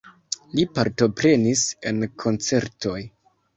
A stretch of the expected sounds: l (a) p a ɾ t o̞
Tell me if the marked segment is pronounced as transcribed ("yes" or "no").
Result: no